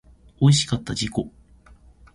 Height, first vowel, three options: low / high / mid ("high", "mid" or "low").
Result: mid